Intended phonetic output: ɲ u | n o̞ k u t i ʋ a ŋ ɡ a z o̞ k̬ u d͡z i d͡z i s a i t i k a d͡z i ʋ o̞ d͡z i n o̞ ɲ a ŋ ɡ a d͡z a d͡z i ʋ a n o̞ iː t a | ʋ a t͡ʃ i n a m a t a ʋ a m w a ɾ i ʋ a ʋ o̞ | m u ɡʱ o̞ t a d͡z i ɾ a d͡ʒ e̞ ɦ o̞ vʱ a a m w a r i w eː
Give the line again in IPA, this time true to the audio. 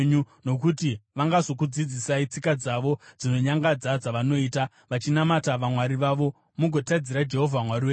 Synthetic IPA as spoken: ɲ u | n o̞ k u t i ʋ a ŋ ɡ a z o̞ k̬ u d͡z i d͡z i s a i t͡s i k a d͡z a ʋ o̞ d͡z i n o̞ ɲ a ŋ ɡ a d͡z a d͡z a ʋ a n o̞ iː t a | ʋ a t͡ʃ i n a m a t a ʋ a m w a ɾ i ʋ a ʋ o̞ | m u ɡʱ o̞ t a d͡z i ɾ a d͡ʒ e̞ ɦ o̞ vʱ a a m w a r i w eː